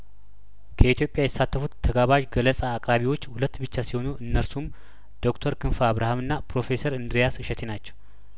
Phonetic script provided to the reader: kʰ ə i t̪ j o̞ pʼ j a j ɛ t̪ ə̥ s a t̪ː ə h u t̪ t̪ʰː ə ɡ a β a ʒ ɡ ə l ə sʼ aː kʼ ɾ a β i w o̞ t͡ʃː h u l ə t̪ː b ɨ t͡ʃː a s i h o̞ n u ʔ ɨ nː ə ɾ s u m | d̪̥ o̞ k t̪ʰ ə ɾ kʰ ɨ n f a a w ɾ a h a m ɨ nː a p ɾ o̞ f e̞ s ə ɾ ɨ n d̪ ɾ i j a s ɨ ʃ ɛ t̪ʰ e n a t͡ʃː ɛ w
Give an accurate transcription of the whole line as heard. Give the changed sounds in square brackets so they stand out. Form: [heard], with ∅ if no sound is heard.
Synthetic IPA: kʰ ə i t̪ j o̞ pʼ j a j ɛ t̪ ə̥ s a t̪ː ə [f] u t̪ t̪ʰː ə ɡ a β a ʒ ɡ ə l ə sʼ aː kʼ ɾ a β i w o̞ t͡ʃː h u l ə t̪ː b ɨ t͡ʃː a s i h o̞ n u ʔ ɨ nː ə ɾ s u m | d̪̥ o̞ k t̪ʰ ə ɾ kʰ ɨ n f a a [β] ɾ a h a m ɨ nː a p ɾ o̞ f e̞ s ə ɾ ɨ n d̪ ɾ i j a s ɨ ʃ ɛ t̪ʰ e n a t͡ʃː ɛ w